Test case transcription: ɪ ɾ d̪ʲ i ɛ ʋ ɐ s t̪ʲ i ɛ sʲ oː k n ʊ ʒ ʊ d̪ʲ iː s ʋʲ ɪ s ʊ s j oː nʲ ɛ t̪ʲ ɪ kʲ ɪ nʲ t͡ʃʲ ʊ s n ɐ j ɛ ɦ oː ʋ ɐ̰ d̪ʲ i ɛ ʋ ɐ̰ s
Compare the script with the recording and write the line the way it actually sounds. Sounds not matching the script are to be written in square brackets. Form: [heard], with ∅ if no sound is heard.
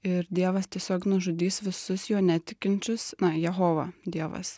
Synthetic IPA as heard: ɪ ɾ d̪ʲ i ɛ ʋ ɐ s t̪ʲ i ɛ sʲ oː k n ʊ ʒ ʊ d̪ʲ iː s ʋʲ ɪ s ʊ s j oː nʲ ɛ t̪ʲ ɪ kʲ ɪ nʲ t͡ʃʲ ʊ s n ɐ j ɛ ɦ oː ʋ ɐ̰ d̪ʲ i ɛ ʋ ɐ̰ s